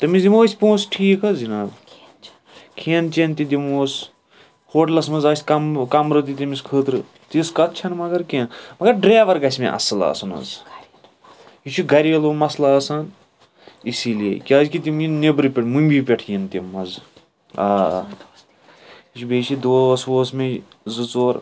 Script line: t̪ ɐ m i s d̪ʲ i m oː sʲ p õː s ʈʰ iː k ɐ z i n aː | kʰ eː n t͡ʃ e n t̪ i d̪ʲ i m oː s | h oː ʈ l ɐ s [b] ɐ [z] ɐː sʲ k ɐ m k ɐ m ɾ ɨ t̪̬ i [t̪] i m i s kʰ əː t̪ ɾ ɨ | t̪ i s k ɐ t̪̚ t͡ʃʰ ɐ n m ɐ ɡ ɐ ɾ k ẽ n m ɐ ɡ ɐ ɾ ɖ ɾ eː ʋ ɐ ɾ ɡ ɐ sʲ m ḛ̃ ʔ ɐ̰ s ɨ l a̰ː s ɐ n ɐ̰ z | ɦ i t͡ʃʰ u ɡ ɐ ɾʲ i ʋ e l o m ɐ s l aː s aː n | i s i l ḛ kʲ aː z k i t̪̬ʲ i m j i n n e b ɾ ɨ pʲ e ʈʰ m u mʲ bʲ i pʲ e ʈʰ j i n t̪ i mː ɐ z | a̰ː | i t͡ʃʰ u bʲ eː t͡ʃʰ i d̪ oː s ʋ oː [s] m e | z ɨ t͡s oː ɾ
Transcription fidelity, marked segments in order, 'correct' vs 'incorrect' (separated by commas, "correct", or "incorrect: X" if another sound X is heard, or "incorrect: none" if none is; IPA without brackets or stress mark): incorrect: m, correct, correct, correct